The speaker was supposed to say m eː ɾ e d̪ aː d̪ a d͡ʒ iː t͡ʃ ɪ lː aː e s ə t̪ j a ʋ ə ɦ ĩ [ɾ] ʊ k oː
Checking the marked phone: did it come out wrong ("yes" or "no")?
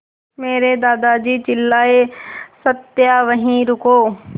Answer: no